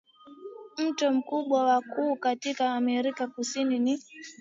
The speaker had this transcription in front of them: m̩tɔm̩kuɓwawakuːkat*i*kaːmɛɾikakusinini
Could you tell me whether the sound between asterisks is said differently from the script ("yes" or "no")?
no